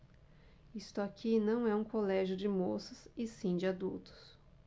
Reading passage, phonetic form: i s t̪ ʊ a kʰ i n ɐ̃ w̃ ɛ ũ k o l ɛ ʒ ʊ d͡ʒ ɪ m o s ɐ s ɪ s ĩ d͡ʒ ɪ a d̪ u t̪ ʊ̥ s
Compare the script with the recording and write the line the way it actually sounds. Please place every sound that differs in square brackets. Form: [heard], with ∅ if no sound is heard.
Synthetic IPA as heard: i s t̪ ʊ a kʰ i n ɐ̃ w̃ ɛ ũ k o l ɛ ʒ ʊ d͡ʒ ɪ m o s ɐ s ɪ s ĩ d͡ʒ ɪ a d̪ u t̪ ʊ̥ s